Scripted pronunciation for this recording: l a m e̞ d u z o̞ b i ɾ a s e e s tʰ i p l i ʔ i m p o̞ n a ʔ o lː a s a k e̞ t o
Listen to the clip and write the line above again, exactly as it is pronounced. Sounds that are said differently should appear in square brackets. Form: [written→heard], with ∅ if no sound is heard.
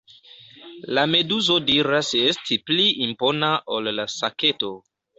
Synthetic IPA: l a m e̞ d u z o̞ [b→d] i ɾ a s e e s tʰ i p l i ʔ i m p o̞ n a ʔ o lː a s a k e̞ t o

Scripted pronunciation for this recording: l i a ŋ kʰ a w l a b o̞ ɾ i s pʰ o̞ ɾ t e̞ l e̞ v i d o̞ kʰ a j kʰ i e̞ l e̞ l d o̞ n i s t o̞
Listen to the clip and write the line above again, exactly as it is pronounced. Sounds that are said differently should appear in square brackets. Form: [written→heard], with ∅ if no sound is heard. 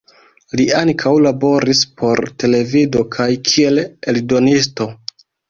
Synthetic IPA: l i a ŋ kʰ a w l a b o̞ ɾ i s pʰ o̞ ɾ t e̞ l e̞ v i d o̞ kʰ a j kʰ i e̞ l e̞ l d o̞ n i s t o̞

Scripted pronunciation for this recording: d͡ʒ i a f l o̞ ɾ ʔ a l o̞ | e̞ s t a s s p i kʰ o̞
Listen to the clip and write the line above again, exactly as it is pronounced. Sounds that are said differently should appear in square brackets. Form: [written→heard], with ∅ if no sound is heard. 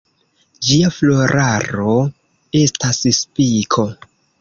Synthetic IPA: d͡ʒ i a f l o̞ ɾ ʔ a [l→ɾ] o̞ | e̞ s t a s s p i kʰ o̞

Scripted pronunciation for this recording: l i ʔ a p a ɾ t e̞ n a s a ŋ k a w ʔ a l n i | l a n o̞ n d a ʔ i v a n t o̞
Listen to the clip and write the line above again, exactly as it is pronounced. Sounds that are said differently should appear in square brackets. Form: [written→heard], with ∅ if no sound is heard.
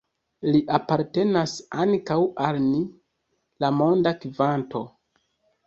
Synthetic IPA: l i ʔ a p a ɾ t e̞ n a s a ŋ k a w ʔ a l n i | l a [n→m] o̞ n d a [ʔ→k] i v a n t o̞

